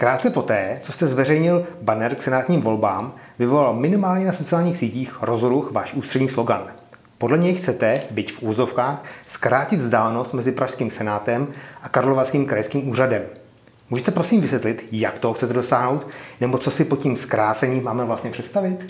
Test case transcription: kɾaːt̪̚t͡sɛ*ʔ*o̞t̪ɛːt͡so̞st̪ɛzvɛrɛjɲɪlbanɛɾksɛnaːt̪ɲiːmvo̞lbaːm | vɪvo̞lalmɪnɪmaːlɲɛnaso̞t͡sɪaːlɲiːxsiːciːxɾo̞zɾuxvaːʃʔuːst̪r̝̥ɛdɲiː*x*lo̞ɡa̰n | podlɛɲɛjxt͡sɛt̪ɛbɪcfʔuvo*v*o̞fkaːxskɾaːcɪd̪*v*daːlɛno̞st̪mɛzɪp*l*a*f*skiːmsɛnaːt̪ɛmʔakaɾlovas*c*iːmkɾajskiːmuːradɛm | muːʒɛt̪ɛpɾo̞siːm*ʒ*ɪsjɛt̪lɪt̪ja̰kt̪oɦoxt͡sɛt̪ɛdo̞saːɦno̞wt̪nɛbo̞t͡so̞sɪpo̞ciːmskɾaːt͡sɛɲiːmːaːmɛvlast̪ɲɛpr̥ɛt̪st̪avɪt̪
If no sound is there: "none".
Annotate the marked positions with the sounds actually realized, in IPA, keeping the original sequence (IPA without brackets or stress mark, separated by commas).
p, s, z, z, ɾ, ʃ, k, v